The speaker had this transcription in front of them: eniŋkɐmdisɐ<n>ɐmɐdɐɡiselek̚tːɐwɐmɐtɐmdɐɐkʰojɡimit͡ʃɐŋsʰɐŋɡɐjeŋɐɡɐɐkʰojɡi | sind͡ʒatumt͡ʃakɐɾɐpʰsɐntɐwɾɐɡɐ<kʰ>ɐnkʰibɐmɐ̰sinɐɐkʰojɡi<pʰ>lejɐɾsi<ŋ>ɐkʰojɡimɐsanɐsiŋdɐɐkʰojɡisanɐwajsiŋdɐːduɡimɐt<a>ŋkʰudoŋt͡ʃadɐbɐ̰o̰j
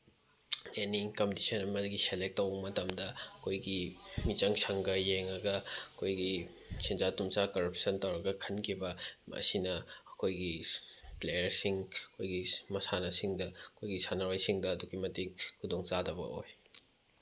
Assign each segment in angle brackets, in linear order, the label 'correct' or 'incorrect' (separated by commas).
correct, correct, incorrect, correct, incorrect